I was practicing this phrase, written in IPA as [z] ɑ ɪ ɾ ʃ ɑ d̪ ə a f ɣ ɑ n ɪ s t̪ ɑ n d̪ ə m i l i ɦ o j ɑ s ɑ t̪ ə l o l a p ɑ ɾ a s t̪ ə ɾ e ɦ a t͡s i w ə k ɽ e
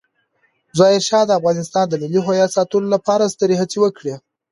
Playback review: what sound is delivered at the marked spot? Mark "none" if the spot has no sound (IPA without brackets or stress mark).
z